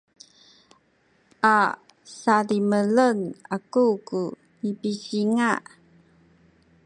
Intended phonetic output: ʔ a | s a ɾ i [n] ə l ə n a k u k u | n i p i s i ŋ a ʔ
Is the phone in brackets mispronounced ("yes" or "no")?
yes